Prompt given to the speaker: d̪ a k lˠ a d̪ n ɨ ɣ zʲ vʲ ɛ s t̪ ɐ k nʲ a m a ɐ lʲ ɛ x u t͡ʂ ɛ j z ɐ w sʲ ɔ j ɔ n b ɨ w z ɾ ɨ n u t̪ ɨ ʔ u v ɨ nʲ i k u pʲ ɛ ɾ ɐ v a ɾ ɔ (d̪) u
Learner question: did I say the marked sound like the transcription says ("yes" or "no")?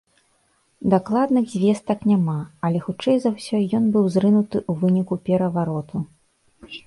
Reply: no